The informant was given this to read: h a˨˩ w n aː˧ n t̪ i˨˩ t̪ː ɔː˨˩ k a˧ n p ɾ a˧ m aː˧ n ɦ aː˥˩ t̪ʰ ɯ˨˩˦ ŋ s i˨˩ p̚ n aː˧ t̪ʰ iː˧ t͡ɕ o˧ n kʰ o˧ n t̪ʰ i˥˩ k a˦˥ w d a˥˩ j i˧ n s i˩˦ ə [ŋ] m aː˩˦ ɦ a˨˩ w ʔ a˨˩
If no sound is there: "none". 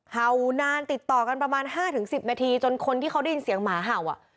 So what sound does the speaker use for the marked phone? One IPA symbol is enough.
ŋ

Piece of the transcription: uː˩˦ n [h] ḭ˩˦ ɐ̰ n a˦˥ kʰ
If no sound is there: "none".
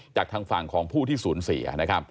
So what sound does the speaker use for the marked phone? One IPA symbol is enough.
s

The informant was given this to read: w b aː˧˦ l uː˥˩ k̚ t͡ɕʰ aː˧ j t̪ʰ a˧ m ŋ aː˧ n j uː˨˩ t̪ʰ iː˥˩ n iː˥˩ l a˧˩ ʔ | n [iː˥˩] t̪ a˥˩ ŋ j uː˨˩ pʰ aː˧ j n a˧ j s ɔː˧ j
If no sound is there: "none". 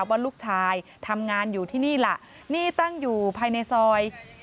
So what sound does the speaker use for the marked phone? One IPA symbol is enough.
iː˥˩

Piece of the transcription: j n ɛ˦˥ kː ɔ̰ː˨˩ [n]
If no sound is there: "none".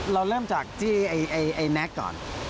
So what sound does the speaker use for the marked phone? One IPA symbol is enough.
n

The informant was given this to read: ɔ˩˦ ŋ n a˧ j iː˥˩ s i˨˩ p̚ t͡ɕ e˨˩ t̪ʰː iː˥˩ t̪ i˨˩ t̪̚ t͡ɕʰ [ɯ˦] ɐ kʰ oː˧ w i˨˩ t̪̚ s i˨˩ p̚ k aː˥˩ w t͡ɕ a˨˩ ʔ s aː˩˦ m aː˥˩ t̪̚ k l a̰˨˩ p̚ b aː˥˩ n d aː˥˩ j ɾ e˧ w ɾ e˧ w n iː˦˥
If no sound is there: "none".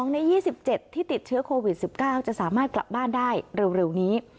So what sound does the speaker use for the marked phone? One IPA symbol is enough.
ɯ˦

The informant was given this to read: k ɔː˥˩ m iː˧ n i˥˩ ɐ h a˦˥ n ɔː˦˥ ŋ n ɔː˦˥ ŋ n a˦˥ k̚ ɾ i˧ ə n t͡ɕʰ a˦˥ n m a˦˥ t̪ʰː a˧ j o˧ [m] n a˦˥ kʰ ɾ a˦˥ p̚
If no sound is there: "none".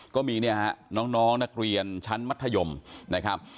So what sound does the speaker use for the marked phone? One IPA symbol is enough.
m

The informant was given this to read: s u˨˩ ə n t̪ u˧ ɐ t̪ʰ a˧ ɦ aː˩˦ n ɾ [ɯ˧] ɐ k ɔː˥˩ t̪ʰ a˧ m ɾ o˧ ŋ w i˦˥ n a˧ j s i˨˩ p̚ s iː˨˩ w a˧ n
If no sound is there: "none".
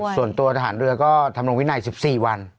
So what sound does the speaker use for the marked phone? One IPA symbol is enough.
ɯ˧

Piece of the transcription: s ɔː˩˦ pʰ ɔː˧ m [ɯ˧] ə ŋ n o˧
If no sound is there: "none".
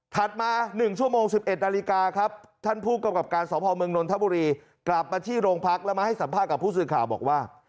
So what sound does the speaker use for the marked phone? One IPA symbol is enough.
ɯ˧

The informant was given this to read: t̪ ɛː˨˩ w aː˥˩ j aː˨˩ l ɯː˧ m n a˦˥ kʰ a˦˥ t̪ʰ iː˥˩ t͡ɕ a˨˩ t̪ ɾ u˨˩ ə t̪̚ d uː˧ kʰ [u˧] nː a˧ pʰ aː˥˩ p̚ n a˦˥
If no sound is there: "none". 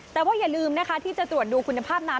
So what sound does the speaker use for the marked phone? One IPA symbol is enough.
u˧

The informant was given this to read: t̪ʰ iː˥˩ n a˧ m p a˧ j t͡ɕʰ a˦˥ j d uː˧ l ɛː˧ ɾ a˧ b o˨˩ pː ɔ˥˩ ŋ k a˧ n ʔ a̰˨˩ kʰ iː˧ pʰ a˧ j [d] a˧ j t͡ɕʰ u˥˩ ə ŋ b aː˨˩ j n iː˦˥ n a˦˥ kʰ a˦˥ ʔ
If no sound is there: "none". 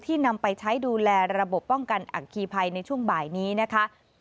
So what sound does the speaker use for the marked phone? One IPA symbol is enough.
n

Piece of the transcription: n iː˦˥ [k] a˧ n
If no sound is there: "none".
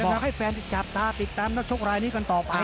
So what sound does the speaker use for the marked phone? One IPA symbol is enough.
k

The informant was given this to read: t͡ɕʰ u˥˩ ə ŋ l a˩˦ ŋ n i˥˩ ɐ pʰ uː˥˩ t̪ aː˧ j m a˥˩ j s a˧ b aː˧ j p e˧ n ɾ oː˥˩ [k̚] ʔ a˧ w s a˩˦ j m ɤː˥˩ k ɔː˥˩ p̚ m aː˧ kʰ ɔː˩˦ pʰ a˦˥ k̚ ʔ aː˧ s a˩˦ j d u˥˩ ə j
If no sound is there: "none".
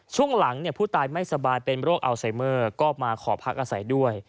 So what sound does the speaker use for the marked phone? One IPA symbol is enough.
k̚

